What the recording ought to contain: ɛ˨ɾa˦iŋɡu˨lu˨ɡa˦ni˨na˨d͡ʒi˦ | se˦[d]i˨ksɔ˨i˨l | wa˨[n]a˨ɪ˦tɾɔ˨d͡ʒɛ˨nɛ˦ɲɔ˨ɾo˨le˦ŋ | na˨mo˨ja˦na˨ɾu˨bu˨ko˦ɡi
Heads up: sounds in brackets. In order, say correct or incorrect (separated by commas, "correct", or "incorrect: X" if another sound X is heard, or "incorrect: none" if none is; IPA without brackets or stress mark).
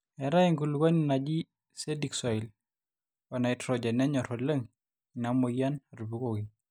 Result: correct, correct